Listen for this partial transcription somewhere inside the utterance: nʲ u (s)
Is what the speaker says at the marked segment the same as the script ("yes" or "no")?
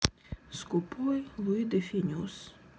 yes